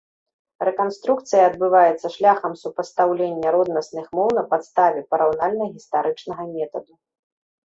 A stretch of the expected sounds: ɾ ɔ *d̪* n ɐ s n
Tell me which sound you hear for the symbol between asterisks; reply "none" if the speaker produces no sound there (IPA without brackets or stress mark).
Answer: d̪